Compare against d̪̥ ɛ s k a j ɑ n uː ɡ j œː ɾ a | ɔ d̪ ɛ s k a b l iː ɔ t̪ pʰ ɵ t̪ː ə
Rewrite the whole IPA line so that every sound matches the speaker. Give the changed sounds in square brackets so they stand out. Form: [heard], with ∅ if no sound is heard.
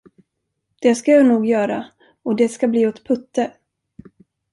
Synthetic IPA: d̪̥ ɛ s k a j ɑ n uː ɡ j œː ɾ a | ɔ d̪ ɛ s k a b l iː ɔ t̪ pʰ ɵ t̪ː ə